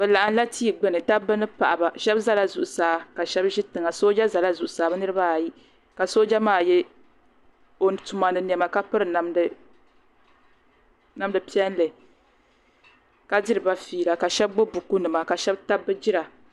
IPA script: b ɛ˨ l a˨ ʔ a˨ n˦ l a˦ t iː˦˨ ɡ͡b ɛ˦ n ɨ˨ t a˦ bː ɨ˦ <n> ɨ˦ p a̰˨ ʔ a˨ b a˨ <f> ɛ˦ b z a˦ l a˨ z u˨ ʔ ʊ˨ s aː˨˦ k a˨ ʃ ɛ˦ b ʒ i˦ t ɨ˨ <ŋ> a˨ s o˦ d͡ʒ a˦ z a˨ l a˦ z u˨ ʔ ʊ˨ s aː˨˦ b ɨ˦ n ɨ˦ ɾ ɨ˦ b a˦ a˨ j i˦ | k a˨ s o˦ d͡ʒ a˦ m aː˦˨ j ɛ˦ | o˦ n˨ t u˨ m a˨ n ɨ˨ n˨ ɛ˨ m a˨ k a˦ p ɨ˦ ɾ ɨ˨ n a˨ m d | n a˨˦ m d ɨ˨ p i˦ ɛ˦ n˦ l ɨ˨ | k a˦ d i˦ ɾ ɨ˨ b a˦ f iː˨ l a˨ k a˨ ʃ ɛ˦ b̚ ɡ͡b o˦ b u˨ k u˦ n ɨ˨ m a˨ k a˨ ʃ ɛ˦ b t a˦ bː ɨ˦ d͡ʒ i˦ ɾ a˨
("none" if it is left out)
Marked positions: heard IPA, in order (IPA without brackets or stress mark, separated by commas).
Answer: n, ʃ, ŋ